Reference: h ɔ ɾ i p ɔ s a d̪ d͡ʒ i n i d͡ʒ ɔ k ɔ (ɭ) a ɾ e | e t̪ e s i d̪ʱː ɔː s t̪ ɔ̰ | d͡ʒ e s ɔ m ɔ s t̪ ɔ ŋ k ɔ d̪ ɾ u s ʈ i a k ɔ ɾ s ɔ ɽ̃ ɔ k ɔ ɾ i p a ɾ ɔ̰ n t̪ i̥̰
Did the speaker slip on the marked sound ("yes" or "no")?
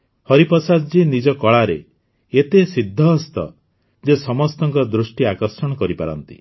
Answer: no